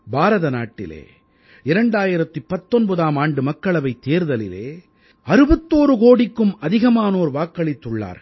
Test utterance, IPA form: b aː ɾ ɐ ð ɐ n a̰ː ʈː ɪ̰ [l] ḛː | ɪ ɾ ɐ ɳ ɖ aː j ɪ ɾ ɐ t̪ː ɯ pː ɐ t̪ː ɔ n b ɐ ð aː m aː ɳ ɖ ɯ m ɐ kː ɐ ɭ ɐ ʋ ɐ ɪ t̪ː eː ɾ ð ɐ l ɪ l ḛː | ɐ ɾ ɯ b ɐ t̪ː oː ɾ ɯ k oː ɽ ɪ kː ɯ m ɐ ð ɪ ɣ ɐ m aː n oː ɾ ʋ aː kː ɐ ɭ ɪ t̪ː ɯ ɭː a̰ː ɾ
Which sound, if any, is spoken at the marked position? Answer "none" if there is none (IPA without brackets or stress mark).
l